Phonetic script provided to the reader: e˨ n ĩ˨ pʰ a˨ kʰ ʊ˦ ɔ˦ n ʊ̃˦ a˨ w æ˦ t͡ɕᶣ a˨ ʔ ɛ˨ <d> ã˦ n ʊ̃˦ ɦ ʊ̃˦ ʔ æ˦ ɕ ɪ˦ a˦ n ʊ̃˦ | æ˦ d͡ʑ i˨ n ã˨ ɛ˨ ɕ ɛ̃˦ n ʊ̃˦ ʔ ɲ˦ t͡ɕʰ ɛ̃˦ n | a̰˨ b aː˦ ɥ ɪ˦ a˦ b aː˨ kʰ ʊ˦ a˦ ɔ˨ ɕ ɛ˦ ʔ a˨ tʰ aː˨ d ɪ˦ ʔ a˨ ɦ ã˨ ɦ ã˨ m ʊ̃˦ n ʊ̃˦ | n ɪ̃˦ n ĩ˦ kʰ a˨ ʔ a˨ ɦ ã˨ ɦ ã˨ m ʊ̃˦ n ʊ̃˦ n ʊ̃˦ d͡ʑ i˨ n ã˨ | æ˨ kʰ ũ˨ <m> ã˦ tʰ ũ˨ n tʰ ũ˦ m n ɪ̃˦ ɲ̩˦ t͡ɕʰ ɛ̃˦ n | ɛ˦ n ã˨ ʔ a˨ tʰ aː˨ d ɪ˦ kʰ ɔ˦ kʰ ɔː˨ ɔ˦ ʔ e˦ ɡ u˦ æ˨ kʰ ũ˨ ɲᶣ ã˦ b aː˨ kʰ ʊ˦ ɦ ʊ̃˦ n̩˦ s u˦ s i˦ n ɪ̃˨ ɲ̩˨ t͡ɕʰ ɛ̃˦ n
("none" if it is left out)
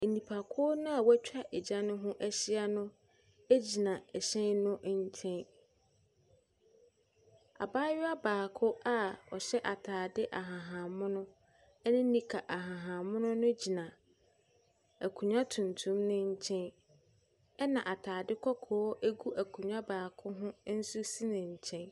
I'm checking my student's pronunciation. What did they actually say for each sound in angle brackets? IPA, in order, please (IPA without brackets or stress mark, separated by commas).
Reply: d͡ʑ, ɲ